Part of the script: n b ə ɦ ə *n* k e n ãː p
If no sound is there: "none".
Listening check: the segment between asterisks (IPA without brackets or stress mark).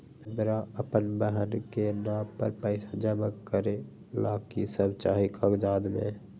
n